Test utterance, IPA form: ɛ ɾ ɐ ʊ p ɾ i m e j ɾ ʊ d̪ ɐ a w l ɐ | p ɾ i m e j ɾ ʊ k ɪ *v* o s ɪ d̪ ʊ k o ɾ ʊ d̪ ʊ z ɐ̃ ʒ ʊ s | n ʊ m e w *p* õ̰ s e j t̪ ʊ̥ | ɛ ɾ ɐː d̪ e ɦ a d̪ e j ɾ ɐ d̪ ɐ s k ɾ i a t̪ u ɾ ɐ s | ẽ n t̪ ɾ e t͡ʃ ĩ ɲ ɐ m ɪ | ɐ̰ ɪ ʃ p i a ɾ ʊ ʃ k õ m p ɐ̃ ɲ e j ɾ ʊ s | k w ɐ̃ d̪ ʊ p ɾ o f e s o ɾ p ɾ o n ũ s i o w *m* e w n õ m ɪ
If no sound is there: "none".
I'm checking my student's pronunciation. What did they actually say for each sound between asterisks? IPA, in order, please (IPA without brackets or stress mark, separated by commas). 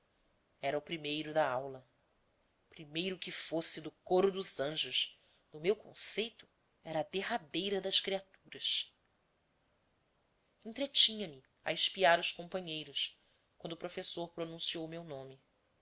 f, k, m